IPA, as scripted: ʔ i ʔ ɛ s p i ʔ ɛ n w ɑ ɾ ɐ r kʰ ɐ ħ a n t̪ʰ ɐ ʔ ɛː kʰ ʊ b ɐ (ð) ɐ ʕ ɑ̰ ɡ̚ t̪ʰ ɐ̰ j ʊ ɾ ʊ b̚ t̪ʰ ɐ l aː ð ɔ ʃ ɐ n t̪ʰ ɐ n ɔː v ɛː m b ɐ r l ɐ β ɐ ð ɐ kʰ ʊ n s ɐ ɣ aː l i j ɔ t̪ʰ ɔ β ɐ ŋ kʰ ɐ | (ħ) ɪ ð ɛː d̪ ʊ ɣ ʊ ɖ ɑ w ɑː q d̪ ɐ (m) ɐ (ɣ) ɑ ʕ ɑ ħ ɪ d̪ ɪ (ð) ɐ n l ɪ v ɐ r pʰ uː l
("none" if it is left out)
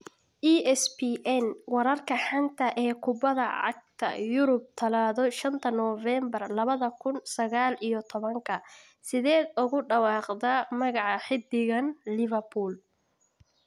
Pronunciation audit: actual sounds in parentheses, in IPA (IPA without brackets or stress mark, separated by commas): ð, s, m, ɣ, ɣ